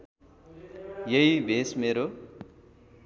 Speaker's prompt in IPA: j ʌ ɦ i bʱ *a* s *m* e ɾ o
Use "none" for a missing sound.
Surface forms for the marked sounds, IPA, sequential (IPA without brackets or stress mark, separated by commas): e, m